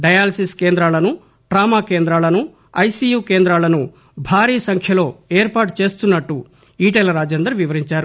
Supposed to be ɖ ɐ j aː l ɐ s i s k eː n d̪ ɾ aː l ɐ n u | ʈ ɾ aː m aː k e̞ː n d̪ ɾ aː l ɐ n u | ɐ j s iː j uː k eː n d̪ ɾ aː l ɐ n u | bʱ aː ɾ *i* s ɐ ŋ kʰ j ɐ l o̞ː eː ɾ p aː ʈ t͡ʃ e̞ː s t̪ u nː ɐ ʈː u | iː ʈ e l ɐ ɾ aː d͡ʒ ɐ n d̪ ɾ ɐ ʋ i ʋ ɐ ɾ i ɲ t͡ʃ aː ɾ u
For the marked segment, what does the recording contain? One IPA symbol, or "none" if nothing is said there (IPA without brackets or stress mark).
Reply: iː